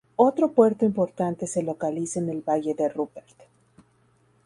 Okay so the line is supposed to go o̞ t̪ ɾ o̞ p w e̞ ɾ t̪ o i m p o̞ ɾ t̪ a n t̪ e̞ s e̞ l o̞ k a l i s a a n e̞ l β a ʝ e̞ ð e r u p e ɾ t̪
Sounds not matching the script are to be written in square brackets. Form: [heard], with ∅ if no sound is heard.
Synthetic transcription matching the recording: o̞ t̪ ɾ o̞ p w e̞ ɾ t̪ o i m p o̞ ɾ t̪ a n t̪ e̞ s e̞ l o̞ k a l i s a [e] n e̞ l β a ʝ e̞ ð e r u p e ɾ t̪